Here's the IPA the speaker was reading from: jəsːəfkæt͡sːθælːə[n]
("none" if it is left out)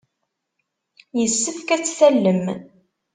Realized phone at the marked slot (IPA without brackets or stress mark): m